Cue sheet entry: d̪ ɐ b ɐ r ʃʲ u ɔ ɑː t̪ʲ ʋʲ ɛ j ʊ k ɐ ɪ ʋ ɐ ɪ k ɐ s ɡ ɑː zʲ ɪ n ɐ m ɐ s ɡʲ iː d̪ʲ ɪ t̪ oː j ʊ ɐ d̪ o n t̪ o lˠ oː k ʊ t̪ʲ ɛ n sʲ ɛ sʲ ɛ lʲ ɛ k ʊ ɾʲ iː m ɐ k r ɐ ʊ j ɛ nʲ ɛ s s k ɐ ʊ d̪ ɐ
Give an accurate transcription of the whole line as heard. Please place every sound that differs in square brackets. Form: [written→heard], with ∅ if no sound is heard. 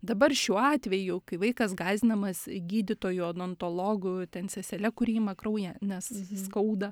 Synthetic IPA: d̪ ɐ b ɐ r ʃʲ u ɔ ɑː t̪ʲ ʋʲ ɛ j ʊ k ɐ ɪ ʋ ɐ ɪ k ɐ s ɡ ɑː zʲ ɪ n ɐ m ɐ s ɡʲ iː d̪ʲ ɪ t̪ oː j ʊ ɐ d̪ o n t̪ o lˠ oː [k→ɡ] ʊ t̪ʲ ɛ n sʲ ɛ sʲ ɛ lʲ ɛ k ʊ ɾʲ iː m ɐ k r ɐ ʊ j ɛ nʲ ɛ s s k ɐ ʊ d̪ ɐ